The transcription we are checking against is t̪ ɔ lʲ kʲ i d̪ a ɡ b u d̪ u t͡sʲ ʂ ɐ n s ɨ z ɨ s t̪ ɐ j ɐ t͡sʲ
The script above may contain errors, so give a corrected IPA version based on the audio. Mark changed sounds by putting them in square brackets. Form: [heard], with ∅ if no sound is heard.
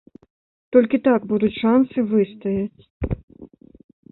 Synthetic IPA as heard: t̪ ɔ lʲ kʲ i [t̪] a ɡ b u d̪ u t͡sʲ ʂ [a] n s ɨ [v] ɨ s t̪ ɐ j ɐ t͡sʲ